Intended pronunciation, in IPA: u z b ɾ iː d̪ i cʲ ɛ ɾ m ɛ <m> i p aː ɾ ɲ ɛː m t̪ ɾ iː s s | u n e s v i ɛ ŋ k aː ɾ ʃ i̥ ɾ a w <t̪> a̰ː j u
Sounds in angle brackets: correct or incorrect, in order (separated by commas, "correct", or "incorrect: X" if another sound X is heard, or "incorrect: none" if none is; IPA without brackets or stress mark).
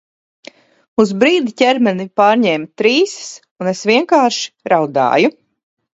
incorrect: n, incorrect: d̪